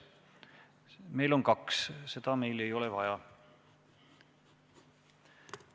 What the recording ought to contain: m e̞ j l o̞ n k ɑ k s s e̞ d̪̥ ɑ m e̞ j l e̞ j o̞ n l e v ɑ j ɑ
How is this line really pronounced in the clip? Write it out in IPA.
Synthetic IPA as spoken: m e̞ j l o̞ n k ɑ k s s e̞ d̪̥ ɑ m e̞ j l e̞ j o̞ l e v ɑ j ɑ